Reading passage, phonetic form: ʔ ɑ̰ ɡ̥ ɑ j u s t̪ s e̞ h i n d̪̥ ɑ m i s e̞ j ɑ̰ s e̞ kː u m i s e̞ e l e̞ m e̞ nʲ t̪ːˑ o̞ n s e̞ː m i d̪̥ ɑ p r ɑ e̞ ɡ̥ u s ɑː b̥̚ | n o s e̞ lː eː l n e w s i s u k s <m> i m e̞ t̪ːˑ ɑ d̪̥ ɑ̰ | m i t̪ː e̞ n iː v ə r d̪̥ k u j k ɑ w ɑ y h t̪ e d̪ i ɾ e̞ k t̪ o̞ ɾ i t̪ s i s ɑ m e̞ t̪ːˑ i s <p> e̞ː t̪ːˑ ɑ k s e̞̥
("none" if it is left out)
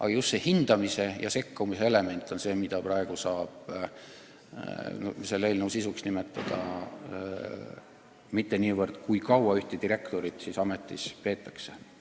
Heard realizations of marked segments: n, p

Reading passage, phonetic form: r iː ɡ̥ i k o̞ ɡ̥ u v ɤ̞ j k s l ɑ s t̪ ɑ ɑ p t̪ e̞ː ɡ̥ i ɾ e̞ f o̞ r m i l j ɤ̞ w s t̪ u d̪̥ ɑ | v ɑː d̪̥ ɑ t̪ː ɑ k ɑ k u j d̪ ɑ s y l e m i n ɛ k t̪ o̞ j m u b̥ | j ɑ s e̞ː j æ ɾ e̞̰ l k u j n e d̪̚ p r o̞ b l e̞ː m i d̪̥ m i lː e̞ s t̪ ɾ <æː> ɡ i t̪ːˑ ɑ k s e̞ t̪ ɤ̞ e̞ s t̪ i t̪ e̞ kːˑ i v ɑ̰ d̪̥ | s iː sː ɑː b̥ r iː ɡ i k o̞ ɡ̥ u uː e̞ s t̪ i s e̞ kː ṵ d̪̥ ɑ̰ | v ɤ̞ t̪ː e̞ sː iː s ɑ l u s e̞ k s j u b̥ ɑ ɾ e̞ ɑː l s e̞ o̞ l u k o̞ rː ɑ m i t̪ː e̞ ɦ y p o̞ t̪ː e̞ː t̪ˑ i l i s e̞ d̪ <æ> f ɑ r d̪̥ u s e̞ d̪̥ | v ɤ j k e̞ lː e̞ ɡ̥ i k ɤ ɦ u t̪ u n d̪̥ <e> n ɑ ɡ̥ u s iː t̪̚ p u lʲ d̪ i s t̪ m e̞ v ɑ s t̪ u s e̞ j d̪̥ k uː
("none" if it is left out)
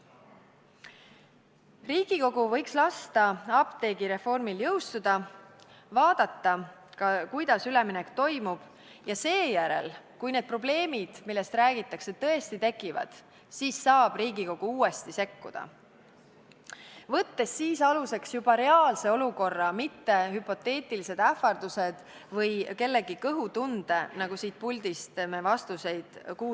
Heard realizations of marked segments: æː, æ, e

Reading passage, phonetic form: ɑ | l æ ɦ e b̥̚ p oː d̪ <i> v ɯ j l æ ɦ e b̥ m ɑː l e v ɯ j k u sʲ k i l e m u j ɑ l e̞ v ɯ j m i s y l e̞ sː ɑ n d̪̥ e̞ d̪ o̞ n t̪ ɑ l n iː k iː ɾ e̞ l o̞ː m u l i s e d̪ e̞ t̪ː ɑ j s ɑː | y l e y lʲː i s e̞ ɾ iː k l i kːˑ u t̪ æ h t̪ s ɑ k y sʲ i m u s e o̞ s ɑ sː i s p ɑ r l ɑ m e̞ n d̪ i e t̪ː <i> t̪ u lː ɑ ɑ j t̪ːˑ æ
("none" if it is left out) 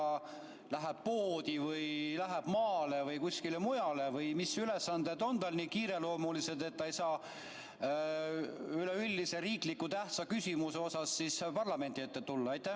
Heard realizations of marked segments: i, e

